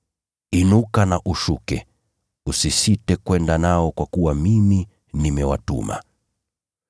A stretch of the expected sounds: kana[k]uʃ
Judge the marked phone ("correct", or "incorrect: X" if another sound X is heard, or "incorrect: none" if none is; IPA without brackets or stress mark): incorrect: ʔ